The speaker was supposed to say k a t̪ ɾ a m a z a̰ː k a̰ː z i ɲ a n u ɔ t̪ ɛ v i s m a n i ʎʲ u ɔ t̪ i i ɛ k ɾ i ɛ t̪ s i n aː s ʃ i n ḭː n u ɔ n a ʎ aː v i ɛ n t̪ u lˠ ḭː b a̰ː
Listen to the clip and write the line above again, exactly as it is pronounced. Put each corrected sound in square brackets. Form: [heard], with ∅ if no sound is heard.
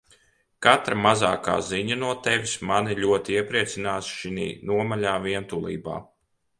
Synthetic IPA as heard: k a t̪ ɾ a m a z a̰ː k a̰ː z i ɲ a n u ɔ t̪ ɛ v i s m a n i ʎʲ u ɔ t̪ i i ɛ [p] ɾ i ɛ t̪ s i n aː s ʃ i n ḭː n u ɔ [m] a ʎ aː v i ɛ n t̪ u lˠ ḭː b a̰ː